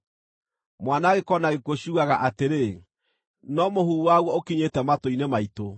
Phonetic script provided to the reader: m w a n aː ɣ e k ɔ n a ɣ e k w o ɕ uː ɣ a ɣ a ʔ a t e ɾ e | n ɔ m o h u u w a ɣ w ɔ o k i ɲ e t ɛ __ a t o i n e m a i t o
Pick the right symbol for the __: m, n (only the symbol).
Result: m